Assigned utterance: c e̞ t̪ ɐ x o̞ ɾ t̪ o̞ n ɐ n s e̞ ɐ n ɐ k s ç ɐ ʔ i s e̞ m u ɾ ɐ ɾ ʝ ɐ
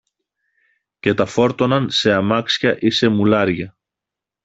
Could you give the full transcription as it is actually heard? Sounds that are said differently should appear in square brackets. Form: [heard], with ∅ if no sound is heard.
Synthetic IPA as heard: c e̞ t̪ ɐ [f] o̞ ɾ t̪ o̞ n ɐ n s e̞ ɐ [m] ɐ k s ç ɐ ʔ i s e̞ m u [l] ɐ ɾ ʝ ɐ